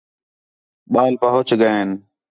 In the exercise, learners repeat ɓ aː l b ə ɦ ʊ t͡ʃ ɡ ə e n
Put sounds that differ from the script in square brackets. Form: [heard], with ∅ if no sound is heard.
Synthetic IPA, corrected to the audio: ɓ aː l [p] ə ɦ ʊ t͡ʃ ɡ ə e n